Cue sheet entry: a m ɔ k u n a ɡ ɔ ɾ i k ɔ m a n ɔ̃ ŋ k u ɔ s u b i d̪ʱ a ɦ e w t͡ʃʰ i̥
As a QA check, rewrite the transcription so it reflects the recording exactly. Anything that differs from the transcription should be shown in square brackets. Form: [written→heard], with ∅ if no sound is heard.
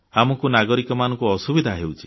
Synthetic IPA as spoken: a m ɔ k u n a ɡ ɔ ɾ i k ɔ m a n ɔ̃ ŋ k u ɔ s u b i d̪ʱ a ɦ e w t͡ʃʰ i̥